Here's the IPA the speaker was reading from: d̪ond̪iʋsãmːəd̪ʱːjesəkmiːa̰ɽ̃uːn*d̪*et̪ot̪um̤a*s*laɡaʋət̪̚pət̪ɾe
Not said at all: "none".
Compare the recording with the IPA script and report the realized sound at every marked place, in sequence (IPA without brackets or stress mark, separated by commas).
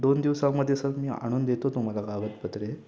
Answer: d̪, none